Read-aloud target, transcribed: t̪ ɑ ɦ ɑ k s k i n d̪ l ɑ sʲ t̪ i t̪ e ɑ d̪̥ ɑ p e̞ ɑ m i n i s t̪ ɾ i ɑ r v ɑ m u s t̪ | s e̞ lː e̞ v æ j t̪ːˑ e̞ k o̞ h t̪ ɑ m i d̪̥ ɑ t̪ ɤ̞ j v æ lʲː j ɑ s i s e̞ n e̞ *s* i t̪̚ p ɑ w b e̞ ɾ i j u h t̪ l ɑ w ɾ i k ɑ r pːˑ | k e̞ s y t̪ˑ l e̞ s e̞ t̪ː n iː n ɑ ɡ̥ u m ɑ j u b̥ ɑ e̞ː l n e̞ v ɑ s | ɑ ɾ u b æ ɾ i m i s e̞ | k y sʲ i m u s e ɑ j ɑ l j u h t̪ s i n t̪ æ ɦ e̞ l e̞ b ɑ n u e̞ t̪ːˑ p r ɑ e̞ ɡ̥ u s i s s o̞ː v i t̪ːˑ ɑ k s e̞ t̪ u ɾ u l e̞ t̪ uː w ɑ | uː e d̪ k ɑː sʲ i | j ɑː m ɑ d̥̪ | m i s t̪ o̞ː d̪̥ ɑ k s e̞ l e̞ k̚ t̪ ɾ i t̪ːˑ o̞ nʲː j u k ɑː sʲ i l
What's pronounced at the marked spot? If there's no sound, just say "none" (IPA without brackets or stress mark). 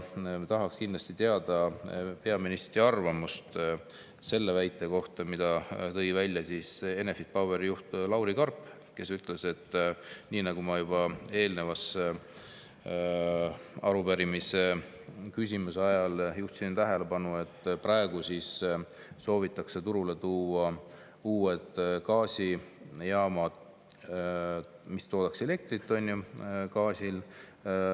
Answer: f